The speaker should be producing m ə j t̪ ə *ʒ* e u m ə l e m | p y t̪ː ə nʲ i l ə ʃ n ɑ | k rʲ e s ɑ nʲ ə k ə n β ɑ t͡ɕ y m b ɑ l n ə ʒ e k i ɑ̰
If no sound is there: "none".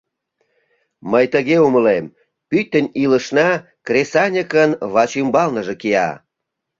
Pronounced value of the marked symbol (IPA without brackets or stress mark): ɣ